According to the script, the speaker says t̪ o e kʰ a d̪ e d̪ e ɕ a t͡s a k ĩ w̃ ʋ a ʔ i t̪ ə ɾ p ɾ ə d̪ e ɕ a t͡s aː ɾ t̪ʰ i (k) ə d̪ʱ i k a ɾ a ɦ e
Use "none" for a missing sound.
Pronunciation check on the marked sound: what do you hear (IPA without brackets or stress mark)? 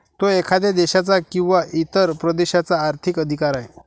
k